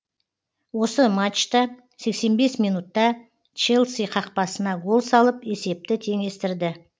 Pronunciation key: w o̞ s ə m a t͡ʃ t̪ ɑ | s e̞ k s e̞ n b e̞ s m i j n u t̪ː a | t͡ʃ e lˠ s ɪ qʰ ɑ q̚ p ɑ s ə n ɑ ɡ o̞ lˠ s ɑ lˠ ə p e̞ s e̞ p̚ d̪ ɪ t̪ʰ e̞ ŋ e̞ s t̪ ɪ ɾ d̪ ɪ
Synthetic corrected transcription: w o̞ s ə m a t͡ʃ t̪ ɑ | s e̞ k s e̞ n b e̞ s m i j n u t̪ː ɑ | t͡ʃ e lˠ s i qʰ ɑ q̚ p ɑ s ə n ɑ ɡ o̞ lˠ s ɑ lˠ ə p e̞ s e̞ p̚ t̪ ɪ t̪ʰ e̞ ŋ e̞ s t̪ ɪ ɾ d̪ ɪ